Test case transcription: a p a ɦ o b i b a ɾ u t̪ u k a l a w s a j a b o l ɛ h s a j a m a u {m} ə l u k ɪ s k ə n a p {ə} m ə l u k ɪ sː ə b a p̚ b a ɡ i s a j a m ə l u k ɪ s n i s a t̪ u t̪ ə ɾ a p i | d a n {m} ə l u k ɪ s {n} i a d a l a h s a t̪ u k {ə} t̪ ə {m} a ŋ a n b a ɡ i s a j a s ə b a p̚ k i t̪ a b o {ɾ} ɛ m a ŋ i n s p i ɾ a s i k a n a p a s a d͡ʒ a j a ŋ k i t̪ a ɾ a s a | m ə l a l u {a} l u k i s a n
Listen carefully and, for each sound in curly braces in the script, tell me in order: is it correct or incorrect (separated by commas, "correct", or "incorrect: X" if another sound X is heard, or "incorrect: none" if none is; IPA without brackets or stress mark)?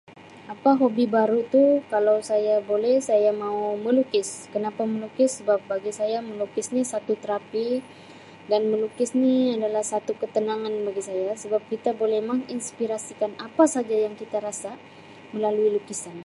correct, incorrect: a, correct, correct, correct, incorrect: n, incorrect: l, incorrect: i